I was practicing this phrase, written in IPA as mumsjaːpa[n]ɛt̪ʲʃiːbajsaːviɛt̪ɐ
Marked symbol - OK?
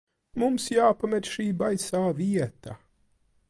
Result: no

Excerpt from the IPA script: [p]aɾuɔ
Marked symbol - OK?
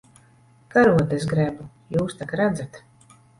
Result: no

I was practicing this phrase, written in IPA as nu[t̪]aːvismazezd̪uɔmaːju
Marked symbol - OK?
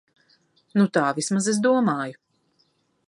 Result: yes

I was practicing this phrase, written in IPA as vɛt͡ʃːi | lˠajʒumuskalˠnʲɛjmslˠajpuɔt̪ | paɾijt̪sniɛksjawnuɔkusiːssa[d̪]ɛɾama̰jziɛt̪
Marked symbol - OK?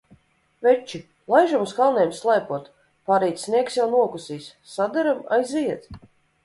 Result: yes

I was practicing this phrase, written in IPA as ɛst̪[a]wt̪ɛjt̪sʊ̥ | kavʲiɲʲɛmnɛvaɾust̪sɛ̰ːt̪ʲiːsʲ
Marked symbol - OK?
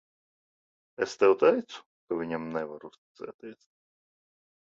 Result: no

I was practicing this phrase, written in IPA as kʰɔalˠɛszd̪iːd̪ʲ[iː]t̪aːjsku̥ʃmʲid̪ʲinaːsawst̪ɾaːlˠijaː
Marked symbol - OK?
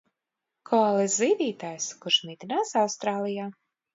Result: yes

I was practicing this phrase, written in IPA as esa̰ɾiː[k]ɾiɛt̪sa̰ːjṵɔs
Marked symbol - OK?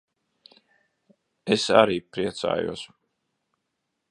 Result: no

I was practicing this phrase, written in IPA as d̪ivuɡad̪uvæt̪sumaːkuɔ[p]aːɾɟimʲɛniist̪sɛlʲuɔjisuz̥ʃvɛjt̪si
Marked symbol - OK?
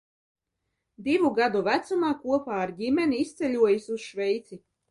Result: yes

